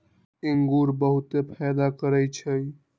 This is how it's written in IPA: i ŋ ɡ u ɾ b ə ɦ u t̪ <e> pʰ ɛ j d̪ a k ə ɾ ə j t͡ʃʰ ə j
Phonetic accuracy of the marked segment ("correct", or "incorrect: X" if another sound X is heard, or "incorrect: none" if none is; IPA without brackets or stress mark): correct